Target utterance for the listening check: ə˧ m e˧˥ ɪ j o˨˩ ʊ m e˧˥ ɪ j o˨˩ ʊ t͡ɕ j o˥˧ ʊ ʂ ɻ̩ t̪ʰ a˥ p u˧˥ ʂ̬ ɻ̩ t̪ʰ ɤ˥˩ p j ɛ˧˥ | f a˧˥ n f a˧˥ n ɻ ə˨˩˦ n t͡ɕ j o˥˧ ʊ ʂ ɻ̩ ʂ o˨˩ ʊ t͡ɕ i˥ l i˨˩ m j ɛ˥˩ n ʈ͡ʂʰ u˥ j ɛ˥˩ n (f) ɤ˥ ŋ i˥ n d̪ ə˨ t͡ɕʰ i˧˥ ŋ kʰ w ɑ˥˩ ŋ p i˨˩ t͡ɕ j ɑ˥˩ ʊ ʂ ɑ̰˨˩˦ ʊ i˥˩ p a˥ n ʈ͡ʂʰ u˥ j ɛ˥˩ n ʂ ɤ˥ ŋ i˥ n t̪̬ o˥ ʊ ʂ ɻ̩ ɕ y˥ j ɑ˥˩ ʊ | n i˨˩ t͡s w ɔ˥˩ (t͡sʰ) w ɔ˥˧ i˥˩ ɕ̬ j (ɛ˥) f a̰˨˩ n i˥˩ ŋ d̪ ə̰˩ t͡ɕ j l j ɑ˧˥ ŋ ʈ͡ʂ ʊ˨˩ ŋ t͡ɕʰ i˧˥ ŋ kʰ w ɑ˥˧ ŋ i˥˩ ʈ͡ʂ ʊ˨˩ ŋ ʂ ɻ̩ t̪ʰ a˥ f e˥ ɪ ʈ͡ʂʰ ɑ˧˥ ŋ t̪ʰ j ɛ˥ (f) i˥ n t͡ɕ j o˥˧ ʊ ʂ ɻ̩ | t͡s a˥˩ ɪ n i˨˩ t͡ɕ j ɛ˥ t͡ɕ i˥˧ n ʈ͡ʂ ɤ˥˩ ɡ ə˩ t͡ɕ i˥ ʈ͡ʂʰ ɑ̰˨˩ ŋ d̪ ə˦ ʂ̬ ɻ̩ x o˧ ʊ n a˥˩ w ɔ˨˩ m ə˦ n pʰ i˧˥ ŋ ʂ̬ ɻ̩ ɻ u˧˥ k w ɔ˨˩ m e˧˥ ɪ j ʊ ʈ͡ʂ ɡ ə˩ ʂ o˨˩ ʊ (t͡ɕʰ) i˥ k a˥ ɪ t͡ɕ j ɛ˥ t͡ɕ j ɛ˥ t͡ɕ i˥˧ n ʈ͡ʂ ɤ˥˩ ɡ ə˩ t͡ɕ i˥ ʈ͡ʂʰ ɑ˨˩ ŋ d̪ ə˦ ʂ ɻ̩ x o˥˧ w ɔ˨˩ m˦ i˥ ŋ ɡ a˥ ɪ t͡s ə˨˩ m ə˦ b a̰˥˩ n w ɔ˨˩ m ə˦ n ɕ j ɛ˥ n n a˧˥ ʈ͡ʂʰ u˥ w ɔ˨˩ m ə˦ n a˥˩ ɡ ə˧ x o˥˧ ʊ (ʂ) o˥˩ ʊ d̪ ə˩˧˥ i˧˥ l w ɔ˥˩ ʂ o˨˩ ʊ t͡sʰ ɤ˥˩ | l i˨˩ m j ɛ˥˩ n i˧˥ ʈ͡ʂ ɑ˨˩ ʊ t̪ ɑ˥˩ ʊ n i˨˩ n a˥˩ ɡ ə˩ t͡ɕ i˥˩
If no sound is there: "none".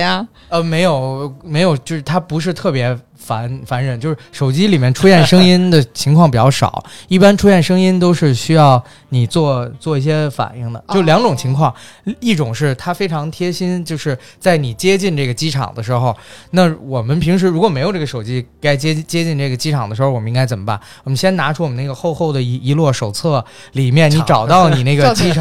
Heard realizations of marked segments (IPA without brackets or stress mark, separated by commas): ʂ, t͡s, ɛ˥, ɕ, t͡ɕ, x